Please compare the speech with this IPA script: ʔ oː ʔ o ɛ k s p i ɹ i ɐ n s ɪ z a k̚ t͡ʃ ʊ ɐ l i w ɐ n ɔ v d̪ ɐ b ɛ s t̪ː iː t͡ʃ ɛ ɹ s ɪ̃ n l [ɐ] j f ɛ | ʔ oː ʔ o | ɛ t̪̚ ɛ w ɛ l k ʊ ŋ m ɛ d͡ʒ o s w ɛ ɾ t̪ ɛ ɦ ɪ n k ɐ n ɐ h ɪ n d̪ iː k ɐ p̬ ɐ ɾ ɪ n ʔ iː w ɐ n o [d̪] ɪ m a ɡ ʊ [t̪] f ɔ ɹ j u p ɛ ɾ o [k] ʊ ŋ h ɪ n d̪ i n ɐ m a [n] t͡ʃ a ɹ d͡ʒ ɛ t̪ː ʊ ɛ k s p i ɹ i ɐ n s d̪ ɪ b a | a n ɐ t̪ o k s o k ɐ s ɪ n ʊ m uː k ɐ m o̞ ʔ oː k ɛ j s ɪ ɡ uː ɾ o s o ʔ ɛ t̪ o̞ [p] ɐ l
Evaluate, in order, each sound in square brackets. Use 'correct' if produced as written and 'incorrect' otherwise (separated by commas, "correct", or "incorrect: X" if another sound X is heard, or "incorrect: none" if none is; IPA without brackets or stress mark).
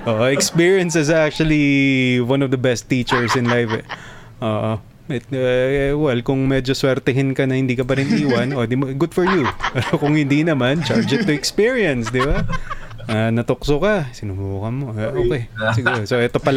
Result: incorrect: a, correct, incorrect: d̪, correct, correct, correct